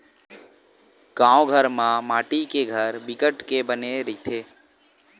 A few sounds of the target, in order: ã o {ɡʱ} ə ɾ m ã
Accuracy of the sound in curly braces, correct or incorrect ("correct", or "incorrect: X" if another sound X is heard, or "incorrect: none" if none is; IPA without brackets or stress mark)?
correct